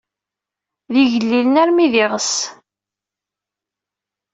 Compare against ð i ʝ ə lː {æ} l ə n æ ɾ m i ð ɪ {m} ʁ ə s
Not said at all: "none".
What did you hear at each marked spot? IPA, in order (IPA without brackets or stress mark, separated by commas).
i, none